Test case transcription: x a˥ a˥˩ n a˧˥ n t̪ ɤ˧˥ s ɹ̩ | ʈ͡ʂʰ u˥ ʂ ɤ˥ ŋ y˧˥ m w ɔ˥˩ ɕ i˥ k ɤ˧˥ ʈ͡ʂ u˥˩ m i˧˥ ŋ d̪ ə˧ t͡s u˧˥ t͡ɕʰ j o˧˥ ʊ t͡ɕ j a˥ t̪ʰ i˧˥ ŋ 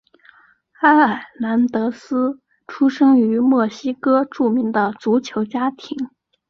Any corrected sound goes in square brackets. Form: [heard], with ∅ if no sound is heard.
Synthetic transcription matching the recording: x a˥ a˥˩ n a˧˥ n t̪ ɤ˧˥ s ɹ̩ | ʈ͡ʂʰ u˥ ʂ ɤ˥ ŋ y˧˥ m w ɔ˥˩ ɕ i˥ k [ɤ˥] ʈ͡ʂ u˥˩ m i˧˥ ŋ d̪ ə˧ t͡s u˧˥ t͡ɕʰ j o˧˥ ʊ t͡ɕ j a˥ t̪ʰ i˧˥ ŋ